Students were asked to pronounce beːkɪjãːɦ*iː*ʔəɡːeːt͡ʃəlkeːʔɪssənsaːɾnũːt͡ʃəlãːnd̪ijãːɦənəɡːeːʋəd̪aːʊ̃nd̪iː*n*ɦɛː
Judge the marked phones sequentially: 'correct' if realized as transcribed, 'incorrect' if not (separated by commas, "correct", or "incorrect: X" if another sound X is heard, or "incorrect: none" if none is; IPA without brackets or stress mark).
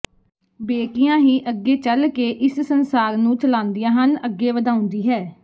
correct, incorrect: none